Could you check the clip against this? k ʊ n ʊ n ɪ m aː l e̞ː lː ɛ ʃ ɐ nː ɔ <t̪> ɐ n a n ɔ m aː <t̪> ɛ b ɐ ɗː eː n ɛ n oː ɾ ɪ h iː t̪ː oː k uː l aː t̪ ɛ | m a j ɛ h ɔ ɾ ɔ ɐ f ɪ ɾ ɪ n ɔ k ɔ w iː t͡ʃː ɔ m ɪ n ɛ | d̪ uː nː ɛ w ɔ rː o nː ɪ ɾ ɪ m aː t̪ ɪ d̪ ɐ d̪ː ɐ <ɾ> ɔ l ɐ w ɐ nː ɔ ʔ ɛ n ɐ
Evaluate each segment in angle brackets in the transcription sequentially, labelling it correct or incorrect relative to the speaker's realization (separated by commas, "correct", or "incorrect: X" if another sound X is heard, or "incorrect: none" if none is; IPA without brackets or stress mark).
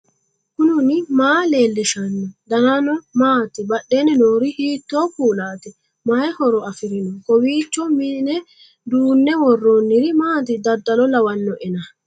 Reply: incorrect: d̪, correct, incorrect: l